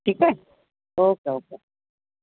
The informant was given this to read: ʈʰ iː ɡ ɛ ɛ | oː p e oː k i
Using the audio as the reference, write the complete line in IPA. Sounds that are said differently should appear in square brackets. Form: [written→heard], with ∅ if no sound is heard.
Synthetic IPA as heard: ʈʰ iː [ɡ→k] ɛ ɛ | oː [p→k] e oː k [i→e]